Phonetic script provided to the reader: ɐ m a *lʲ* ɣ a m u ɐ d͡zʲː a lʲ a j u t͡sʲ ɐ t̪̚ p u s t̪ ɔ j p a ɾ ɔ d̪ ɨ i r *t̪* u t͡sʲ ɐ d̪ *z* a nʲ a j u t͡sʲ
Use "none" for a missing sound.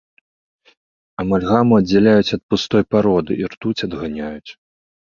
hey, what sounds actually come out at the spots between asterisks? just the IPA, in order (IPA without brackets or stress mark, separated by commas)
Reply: lʲ, t̪, ɣ